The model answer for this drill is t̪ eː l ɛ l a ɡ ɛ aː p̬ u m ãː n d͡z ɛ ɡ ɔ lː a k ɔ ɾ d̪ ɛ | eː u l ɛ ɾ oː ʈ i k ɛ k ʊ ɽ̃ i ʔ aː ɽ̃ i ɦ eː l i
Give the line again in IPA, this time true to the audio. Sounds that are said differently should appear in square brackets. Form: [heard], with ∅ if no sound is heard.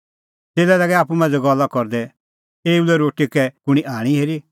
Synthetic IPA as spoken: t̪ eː l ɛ l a ɡ ɛ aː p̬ u m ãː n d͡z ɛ ɡ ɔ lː a k ɔ ɾ d̪ ɛ | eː u l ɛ ɾ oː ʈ i k ɛ k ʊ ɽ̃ i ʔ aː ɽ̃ i ɦ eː [ɾ] i